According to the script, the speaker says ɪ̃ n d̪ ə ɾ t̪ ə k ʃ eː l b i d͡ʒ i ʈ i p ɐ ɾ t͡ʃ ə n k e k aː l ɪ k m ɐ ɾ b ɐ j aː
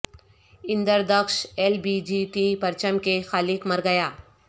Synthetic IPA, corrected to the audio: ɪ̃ n d̪ ə ɾ d̪ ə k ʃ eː l b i d͡ʒ i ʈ i p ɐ ɾ t͡ʃ ə m k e x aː l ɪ k m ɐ ɾ ɡ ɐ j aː